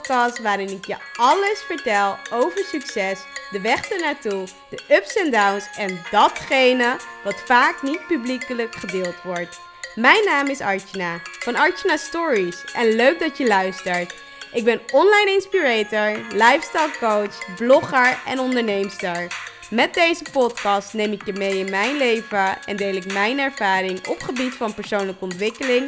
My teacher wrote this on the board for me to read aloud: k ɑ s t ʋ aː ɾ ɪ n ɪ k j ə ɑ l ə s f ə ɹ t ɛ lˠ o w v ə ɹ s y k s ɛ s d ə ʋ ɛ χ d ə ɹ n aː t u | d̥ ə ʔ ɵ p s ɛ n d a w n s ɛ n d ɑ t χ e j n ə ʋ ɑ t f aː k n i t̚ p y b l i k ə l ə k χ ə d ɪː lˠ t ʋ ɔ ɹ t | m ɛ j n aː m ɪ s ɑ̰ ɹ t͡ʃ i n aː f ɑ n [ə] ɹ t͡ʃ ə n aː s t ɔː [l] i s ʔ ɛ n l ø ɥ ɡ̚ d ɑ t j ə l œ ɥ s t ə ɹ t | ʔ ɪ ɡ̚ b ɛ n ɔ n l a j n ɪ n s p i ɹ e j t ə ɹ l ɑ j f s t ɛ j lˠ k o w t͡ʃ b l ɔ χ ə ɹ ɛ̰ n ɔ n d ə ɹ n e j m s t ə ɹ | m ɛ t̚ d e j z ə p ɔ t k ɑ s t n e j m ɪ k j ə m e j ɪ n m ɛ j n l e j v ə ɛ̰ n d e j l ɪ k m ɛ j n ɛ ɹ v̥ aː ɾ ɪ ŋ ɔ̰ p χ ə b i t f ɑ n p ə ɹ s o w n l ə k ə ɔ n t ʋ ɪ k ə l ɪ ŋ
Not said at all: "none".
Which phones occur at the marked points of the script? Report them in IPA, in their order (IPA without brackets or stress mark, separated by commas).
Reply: ɑ, ɹ